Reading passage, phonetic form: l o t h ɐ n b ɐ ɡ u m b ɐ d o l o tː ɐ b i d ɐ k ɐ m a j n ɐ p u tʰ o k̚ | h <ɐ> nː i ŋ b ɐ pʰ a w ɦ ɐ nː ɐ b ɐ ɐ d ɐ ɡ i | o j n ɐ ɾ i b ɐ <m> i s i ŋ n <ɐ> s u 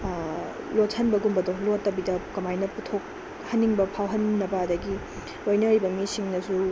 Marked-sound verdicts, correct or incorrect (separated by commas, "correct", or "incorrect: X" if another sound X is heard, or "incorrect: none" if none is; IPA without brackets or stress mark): correct, correct, correct